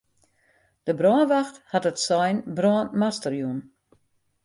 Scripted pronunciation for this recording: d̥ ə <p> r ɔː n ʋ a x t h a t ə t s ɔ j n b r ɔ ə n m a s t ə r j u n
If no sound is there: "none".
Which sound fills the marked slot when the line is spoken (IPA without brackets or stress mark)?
b